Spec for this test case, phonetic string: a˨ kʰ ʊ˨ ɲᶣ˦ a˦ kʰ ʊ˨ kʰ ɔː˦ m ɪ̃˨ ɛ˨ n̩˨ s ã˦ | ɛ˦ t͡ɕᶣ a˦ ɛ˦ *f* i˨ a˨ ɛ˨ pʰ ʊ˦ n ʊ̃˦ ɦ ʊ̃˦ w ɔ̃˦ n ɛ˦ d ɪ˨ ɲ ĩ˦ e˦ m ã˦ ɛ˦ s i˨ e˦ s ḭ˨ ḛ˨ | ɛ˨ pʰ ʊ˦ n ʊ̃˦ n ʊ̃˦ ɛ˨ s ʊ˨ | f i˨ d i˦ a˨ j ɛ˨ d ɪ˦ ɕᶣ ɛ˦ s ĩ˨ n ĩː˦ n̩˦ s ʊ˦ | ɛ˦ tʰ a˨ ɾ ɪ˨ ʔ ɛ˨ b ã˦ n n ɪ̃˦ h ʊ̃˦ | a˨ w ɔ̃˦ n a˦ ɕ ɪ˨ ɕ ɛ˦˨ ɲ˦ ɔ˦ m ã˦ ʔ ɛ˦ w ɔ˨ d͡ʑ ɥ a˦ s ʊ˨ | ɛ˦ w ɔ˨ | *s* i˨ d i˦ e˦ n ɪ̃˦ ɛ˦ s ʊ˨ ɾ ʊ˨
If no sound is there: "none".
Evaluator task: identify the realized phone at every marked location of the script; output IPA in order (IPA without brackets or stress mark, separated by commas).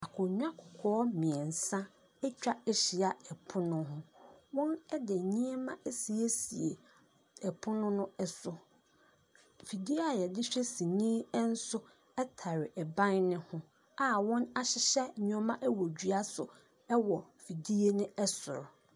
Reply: ɕ, f